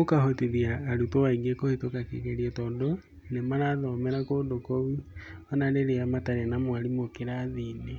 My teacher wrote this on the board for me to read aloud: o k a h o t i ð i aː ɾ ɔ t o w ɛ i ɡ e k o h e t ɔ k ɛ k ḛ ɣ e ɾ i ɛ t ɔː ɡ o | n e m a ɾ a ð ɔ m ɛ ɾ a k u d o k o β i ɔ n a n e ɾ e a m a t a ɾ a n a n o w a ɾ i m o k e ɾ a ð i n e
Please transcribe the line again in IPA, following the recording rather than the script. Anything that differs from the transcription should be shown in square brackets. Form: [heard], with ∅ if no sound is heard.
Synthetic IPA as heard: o k a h o t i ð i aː ɾ [u] t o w [a] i ɡ e k o h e t [o] k [a] k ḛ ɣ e ɾ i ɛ t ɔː [d] o | n e m a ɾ a ð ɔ m ɛ ɾ a k [o] d o k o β i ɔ n a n e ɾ e a m a t a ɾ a n a [m] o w a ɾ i m o k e ɾ a ð i n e